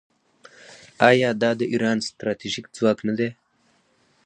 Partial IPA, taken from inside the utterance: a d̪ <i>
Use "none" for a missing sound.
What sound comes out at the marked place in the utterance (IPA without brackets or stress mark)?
e